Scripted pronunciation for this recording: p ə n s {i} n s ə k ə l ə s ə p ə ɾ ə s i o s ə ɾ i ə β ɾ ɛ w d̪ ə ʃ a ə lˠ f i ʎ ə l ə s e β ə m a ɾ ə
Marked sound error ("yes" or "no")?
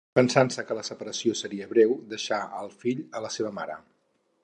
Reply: yes